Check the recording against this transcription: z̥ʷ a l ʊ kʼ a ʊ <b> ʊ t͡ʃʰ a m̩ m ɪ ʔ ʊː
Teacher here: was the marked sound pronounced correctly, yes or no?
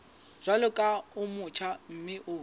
no